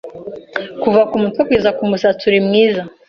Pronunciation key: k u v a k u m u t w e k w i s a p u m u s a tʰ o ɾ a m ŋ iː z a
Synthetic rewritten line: k u v a k u m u t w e k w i z a k u m u s a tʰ u ɾ i m ŋ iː z a